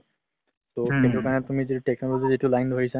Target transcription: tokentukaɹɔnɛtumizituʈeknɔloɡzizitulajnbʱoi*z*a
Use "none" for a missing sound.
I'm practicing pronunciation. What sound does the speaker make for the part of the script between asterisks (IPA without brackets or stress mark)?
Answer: s